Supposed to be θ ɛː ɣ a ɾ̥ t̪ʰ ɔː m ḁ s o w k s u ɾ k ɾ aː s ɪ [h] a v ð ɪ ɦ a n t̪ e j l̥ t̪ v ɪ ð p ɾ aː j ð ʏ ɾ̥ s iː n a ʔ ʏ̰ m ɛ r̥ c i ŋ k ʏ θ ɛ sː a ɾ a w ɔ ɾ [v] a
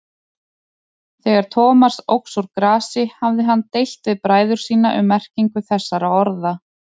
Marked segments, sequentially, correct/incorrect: correct, incorrect

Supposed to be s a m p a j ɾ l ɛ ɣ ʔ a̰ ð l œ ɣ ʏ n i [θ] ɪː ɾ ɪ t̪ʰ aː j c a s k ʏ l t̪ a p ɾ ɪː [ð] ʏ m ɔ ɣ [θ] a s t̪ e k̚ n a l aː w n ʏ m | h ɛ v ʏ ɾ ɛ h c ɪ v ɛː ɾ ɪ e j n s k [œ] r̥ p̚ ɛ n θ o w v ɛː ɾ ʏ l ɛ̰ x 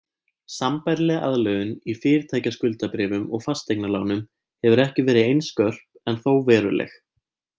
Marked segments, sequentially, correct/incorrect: incorrect, incorrect, incorrect, correct

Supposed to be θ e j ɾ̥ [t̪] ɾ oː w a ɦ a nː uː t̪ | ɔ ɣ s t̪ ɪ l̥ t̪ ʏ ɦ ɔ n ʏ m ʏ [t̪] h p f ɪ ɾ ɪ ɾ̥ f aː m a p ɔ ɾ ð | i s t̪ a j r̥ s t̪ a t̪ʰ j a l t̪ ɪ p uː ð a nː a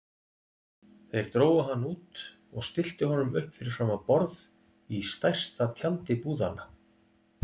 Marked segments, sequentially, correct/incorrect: correct, incorrect

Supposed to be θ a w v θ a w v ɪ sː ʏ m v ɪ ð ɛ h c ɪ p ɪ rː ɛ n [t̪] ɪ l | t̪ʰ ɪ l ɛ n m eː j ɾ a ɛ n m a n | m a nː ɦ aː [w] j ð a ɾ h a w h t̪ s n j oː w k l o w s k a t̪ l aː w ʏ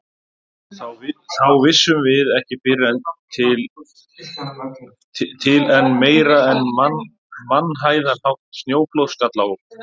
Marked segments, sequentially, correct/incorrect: incorrect, incorrect

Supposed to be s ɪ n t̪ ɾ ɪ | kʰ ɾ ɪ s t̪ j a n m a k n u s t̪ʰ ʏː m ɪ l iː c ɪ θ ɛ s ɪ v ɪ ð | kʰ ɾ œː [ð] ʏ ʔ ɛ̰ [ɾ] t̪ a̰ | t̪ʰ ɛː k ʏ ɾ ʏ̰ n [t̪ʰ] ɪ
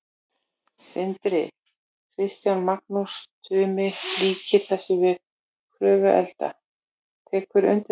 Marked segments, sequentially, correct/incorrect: incorrect, incorrect, incorrect

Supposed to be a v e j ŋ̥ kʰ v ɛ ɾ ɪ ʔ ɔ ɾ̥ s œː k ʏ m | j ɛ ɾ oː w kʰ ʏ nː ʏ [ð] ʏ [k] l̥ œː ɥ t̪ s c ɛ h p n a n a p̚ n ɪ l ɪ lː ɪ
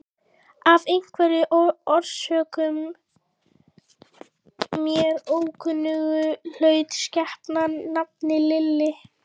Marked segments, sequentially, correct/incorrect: incorrect, incorrect

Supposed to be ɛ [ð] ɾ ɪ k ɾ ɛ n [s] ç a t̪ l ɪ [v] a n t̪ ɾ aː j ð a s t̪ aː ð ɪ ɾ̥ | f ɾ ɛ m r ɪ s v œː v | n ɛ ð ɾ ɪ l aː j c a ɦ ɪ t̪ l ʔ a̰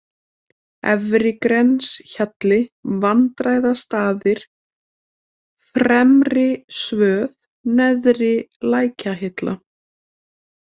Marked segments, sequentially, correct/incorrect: incorrect, correct, correct

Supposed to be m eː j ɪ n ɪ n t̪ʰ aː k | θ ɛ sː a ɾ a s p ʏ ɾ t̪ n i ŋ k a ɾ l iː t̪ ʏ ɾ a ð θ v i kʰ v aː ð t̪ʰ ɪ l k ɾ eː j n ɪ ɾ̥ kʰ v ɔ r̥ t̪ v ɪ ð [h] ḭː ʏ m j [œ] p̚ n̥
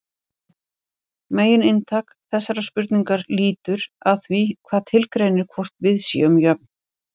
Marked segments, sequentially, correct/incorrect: incorrect, correct

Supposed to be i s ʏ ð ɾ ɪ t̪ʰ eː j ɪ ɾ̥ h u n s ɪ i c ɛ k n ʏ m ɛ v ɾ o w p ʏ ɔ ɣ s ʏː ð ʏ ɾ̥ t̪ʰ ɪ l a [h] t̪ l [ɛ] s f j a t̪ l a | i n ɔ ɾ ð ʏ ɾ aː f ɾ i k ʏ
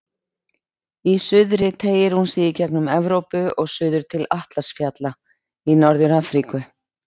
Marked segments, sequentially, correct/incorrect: correct, incorrect

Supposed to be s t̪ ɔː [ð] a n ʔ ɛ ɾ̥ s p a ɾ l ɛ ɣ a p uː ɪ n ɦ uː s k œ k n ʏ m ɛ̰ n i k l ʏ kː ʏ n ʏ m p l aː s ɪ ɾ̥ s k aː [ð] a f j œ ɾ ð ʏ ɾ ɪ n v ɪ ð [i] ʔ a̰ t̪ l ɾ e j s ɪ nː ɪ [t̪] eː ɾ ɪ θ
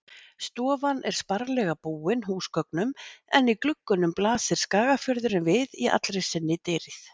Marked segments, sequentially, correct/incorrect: incorrect, incorrect, correct, correct

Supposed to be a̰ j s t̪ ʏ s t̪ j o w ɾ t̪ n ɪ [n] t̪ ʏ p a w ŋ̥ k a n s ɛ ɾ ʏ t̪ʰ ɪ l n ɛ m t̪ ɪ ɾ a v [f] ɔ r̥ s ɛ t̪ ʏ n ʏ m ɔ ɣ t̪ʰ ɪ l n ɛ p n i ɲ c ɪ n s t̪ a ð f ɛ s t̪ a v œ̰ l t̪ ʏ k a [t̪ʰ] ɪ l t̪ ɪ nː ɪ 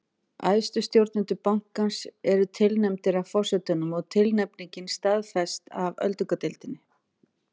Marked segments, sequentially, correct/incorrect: correct, correct, incorrect

